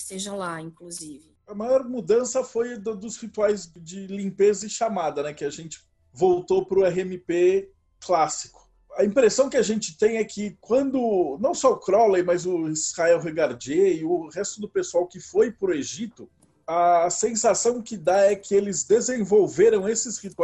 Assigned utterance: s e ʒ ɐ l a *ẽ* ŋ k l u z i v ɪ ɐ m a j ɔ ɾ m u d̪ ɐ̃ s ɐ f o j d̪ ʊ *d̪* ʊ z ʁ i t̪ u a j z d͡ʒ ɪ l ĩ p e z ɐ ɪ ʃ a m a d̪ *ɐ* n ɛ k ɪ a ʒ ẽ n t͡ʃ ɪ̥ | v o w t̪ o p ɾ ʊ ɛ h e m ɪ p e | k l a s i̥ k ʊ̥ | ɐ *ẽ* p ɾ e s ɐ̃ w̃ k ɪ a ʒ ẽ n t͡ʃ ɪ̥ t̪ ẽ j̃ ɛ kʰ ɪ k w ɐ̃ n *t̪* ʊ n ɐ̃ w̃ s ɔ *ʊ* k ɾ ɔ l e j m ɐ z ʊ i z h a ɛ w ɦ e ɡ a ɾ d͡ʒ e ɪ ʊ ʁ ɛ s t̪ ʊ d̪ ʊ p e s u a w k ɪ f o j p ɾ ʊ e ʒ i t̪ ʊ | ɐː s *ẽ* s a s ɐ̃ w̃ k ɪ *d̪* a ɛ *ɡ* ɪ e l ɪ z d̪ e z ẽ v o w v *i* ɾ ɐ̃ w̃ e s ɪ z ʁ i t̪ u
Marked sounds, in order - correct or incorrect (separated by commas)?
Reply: incorrect, correct, correct, incorrect, incorrect, correct, correct, correct, incorrect, incorrect